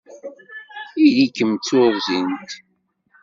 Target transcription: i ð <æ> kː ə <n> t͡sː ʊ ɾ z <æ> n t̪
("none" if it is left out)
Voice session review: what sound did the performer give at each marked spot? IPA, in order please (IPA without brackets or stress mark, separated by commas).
i, m, i